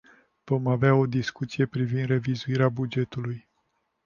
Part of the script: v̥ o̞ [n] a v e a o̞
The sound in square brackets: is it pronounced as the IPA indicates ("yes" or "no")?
no